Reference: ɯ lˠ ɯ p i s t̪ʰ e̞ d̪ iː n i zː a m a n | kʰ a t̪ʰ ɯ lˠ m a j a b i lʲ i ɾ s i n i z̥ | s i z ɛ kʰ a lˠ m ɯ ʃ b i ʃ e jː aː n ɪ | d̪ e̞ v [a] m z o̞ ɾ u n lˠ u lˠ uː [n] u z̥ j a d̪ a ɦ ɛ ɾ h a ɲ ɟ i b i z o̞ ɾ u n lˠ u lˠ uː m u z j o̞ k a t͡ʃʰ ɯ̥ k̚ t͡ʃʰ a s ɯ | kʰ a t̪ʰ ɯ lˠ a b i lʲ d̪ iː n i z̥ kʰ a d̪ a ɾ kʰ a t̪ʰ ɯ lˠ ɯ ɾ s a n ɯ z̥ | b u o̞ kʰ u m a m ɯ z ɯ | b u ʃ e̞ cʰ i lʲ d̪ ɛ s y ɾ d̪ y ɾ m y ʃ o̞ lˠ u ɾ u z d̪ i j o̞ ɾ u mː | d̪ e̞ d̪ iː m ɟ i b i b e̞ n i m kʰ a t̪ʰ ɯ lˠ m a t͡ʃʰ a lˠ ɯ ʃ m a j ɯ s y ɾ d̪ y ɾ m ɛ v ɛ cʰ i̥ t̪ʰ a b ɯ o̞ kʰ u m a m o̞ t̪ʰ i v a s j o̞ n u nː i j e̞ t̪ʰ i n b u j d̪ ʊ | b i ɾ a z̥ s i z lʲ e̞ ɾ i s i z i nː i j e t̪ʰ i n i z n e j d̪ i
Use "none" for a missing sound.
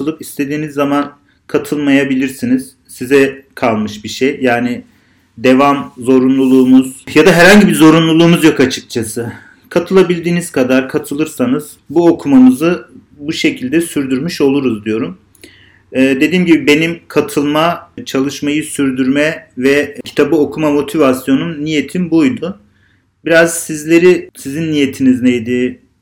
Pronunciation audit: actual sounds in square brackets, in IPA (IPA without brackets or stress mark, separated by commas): a, m